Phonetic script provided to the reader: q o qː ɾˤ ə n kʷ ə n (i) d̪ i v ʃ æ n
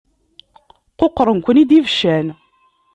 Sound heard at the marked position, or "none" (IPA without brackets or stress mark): i